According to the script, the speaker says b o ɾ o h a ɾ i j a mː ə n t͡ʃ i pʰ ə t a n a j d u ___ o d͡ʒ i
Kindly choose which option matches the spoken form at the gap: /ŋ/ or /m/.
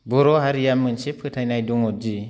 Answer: ŋ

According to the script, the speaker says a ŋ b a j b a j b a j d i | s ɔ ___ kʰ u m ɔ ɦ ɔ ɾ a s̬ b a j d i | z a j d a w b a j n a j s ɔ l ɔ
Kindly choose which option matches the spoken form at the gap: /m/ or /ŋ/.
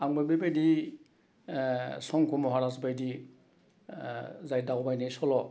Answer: ŋ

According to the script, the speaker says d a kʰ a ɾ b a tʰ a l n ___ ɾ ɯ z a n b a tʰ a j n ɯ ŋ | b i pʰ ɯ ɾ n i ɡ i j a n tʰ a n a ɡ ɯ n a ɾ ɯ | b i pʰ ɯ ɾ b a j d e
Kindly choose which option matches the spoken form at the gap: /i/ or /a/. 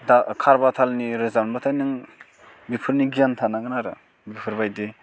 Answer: i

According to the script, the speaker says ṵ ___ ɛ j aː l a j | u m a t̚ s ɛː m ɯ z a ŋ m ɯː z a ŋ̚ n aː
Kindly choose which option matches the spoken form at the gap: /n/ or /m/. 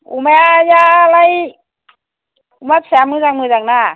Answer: m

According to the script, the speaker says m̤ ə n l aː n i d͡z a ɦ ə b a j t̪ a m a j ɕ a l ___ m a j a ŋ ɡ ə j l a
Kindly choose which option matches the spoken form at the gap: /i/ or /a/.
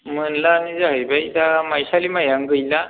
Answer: i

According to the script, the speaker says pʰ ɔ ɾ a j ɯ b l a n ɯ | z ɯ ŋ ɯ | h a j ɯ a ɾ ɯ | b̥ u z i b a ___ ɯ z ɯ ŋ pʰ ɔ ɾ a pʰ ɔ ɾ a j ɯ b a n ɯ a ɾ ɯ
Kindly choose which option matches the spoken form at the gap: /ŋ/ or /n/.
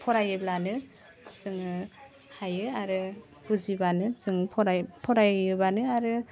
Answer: n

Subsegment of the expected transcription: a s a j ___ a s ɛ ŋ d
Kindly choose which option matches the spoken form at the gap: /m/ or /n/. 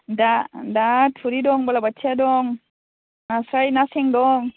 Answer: n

